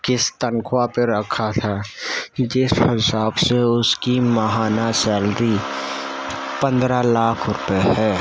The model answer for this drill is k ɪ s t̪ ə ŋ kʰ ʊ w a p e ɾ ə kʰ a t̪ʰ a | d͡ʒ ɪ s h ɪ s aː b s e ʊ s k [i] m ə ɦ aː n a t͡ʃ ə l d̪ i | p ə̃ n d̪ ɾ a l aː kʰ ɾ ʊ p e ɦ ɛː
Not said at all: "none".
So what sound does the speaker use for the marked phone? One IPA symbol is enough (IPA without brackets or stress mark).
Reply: i